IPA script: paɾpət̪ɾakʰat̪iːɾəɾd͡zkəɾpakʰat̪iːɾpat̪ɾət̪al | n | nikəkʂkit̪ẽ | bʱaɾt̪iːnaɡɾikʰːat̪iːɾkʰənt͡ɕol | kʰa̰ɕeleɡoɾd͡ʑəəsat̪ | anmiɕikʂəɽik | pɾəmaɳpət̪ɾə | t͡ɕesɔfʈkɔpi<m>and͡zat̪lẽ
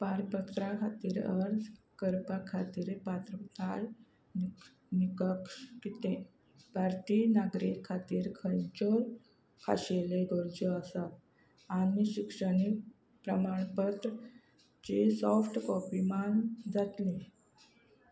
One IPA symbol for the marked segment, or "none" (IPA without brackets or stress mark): m